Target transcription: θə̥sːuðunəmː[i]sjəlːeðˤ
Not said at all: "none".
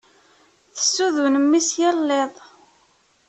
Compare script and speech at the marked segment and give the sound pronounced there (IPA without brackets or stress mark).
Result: i